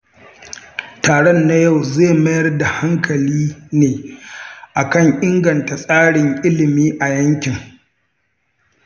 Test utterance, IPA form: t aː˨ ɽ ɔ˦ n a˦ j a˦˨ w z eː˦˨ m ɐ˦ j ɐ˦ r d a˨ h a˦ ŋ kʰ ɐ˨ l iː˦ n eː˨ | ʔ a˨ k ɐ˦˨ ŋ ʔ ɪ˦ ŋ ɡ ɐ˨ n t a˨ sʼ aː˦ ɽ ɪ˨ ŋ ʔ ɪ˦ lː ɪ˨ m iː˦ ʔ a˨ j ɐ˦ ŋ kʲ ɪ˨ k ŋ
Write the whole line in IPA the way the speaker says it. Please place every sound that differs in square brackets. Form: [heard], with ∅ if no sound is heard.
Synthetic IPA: t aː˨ ɽ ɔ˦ [nː] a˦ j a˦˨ w z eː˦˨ m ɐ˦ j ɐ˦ r d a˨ h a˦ ŋ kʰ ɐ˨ l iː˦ n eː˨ | ʔ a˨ k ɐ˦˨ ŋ ʔ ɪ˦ ŋ ɡ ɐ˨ n t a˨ sʼ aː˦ ɽ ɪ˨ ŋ ʔ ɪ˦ [l] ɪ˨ m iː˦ ʔ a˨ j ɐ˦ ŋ kʲ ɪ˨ [∅] ŋ